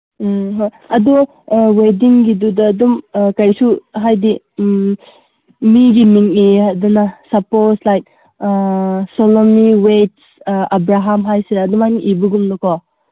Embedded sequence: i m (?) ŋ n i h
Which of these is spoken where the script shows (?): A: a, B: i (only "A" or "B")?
B